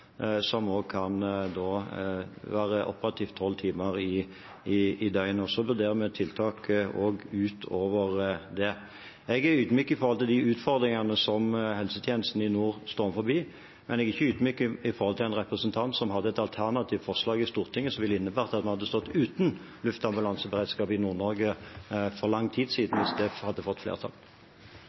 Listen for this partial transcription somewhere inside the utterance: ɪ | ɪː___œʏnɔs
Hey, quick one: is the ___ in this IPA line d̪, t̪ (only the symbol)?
d̪